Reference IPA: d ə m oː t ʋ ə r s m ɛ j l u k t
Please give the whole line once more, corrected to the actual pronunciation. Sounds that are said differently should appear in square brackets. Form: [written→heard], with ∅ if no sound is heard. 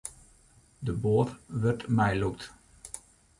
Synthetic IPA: d ə [m→b] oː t ʋ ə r [s→t] m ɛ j l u k t